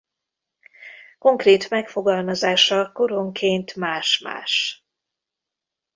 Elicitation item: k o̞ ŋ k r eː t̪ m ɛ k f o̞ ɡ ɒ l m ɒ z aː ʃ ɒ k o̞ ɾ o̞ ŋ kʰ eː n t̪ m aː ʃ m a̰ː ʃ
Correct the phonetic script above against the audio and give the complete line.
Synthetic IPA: k o̞ ŋ k r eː t̪ m ɛ k f o̞ ɡ ɒ l m ɒ z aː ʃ ɒ k o̞ ɾ o̞ ŋ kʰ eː n t̪ m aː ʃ m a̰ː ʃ